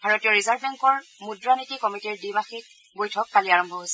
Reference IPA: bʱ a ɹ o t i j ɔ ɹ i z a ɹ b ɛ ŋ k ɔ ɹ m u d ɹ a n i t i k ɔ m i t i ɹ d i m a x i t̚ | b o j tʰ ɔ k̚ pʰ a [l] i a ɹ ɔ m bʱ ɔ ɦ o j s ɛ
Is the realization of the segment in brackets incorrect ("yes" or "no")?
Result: no